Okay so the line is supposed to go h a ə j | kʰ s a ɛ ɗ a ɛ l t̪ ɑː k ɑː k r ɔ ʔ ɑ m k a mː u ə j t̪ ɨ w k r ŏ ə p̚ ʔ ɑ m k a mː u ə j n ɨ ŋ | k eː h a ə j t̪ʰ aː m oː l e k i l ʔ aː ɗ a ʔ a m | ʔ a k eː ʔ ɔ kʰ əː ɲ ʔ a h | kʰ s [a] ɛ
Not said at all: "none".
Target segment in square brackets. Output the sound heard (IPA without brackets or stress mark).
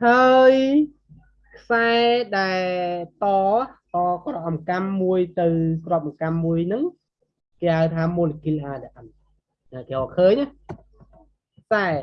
a